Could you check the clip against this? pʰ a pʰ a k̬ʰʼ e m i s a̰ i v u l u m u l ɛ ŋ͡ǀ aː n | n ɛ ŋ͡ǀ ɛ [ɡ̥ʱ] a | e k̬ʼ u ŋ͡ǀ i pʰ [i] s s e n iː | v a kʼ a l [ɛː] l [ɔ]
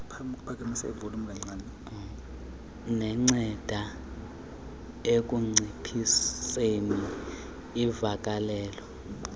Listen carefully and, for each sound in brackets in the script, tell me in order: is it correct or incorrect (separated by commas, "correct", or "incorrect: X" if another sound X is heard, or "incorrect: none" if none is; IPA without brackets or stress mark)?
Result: incorrect: d̥ʱ, correct, correct, correct